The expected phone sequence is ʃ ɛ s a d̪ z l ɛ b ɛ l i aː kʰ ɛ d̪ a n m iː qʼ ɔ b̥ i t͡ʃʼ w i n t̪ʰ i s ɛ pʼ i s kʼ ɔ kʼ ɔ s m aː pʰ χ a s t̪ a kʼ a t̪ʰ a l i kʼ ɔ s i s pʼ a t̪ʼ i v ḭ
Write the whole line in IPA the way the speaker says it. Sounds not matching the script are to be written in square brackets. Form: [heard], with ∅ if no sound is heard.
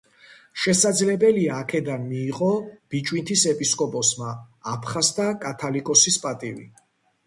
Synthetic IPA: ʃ ɛ s a d̪ z l ɛ b ɛ l i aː kʰ ɛ d̪ a n m iː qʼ ɔ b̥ i t͡ʃʼ w i n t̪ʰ i s ɛ pʼ i s kʼ ɔ [pʼ] ɔ s m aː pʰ χ a s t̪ a kʼ a t̪ʰ a l i kʼ ɔ s i s pʼ a t̪ʼ i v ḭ